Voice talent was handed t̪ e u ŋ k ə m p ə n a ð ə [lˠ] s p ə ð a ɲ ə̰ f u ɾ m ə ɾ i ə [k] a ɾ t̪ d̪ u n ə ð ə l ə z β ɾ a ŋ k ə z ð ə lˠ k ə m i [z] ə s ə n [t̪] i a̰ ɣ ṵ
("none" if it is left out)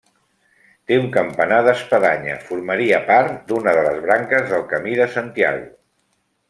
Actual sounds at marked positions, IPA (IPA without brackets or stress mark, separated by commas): none, p, ð, t̪